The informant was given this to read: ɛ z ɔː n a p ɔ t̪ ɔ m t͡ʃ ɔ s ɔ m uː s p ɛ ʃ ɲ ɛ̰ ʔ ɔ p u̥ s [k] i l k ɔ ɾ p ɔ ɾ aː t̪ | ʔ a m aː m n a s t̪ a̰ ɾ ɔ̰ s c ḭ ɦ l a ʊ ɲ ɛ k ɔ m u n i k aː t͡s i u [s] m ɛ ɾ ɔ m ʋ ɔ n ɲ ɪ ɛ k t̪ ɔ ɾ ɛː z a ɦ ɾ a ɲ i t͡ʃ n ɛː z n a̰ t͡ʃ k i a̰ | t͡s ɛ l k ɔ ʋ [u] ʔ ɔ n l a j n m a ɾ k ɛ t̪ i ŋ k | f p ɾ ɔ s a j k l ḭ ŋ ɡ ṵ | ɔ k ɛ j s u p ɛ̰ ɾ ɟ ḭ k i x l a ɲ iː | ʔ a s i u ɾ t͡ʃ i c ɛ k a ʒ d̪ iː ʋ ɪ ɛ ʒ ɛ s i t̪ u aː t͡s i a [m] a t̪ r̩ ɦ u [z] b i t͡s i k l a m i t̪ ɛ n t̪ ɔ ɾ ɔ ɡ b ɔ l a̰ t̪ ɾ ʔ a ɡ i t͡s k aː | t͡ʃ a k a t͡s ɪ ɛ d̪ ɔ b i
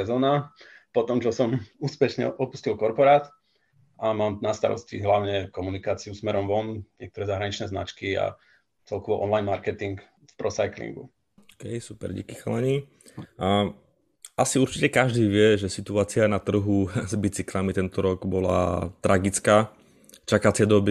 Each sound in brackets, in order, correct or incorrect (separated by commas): incorrect, correct, incorrect, incorrect, correct